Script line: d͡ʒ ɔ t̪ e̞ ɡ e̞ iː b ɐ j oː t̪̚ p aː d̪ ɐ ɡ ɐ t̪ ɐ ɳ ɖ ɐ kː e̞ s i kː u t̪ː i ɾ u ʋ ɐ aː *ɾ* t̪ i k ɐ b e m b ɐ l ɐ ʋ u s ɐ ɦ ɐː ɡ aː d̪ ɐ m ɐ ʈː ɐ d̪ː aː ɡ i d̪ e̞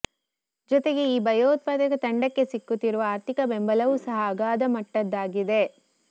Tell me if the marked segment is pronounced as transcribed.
yes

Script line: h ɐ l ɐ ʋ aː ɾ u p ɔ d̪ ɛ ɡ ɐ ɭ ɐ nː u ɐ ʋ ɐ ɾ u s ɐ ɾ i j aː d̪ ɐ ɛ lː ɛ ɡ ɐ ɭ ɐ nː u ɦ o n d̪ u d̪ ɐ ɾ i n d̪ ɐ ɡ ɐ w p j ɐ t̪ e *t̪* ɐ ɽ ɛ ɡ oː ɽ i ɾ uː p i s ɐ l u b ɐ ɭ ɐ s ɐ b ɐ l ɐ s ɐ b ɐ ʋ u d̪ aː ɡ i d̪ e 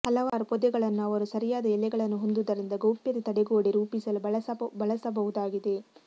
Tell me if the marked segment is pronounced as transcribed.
yes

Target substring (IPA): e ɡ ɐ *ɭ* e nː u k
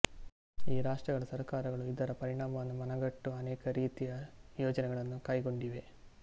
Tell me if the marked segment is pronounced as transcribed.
yes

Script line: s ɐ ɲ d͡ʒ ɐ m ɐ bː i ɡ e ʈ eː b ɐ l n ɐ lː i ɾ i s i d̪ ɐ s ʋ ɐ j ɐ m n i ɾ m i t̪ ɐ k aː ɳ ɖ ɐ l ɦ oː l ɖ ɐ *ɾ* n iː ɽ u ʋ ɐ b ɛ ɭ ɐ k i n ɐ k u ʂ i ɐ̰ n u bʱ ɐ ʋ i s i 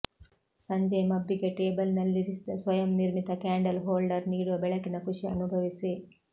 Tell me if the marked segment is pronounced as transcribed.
yes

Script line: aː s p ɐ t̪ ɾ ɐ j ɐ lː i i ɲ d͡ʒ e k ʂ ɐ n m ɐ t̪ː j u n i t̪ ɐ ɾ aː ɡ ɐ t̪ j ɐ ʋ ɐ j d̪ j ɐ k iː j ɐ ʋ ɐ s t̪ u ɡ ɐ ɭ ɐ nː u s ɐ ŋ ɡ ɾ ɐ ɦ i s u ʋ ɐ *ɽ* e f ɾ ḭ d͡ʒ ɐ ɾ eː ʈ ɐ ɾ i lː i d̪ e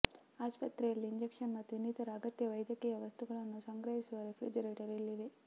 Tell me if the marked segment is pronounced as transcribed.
no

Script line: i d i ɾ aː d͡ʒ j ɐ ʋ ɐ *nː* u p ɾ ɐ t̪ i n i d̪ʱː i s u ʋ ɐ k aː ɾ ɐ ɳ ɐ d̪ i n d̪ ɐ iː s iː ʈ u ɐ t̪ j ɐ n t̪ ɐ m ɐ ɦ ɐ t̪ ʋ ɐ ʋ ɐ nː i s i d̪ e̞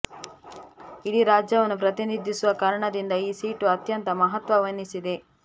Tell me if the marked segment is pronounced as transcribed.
no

